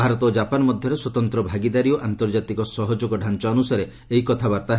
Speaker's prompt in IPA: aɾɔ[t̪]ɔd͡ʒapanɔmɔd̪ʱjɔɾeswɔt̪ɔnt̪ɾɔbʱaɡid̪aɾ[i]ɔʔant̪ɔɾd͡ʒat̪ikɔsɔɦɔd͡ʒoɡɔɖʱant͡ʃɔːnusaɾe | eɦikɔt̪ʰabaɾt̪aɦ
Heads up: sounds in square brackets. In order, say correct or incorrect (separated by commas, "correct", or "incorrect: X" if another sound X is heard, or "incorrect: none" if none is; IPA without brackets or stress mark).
correct, correct